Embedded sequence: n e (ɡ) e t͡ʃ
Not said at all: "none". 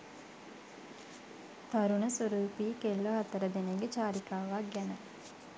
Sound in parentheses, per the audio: ɡ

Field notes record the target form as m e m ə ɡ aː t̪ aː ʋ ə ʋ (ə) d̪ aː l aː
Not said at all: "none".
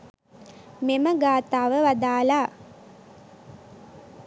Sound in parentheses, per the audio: a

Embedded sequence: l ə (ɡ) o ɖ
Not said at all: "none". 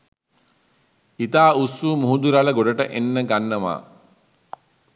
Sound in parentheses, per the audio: ɡ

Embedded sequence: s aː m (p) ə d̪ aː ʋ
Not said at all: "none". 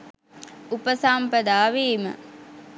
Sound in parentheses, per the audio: p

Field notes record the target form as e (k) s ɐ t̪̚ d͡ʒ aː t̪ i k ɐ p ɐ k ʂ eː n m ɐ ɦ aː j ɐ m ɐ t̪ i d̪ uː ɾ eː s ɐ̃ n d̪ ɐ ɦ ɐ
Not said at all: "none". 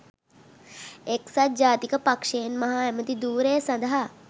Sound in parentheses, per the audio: k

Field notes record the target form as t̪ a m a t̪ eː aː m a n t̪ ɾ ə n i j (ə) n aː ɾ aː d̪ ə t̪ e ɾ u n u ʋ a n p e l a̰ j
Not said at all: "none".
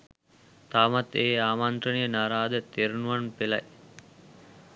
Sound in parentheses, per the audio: ə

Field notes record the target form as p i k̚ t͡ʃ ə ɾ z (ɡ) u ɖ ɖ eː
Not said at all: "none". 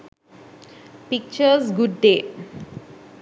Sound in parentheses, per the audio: ɡ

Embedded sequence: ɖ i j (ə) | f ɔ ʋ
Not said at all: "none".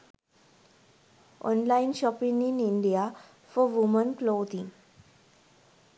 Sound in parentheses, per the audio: a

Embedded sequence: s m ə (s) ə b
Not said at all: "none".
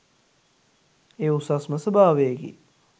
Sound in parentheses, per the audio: s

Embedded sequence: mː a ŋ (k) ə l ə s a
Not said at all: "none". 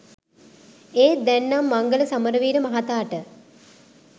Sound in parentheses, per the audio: ɡ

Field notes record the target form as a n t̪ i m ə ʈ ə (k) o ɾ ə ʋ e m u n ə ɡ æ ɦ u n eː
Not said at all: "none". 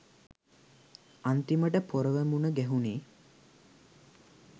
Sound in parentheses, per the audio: p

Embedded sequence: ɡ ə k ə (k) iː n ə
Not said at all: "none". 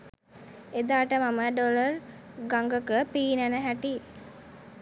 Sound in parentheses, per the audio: p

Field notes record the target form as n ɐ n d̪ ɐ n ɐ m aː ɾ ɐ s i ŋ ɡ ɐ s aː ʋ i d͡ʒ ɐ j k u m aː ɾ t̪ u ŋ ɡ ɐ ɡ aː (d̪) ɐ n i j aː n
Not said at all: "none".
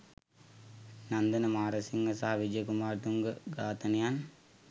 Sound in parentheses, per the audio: t̪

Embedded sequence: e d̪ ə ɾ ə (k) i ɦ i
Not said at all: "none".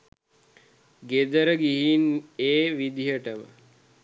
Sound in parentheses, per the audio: ɡ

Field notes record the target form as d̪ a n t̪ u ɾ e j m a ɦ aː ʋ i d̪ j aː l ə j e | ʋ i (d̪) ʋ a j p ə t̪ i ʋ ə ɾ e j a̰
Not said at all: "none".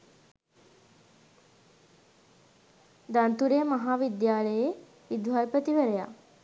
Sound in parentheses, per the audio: d̪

